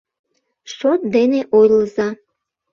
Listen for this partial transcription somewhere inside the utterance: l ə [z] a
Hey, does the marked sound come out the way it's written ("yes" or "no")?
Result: yes